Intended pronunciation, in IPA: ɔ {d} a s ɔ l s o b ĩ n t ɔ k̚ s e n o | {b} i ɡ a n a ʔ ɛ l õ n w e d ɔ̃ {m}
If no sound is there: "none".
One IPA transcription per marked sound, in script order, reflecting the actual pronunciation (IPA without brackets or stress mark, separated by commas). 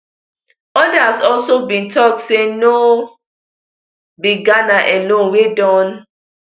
d, b, n